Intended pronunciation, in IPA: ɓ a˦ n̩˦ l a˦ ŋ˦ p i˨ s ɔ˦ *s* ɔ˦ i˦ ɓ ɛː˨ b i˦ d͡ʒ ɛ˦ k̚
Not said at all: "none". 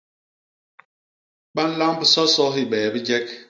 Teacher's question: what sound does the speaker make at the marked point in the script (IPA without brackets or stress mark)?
s